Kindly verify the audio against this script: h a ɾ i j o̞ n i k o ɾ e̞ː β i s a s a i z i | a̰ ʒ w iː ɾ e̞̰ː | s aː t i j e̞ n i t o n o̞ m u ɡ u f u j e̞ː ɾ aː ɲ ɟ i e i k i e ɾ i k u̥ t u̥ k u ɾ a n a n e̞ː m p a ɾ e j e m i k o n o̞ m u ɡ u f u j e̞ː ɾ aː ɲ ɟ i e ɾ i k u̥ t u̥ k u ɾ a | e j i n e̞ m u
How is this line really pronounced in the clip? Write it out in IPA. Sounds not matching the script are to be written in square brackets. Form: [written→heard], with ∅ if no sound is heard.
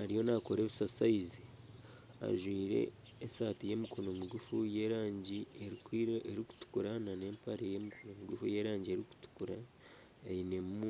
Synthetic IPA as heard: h a ɾ i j o̞ n [i→a] k o ɾ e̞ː β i s a s a i z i | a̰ ʒ w iː ɾ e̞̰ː | s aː t i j e̞ [n→m] i [t→k] o n o̞ m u ɡ u f u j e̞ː ɾ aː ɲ ɟ i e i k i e ɾ i k u̥ t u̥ k u ɾ a n a n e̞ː m p a ɾ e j e m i k o n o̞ m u ɡ u f u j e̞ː ɾ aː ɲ ɟ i e ɾ i k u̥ t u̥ k u ɾ a | e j i n e̞ m u